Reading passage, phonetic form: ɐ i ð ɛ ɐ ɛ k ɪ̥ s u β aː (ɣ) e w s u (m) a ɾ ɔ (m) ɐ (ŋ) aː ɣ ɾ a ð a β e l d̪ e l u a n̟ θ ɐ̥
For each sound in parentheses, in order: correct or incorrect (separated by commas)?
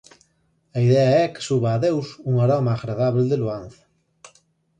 incorrect, incorrect, correct, incorrect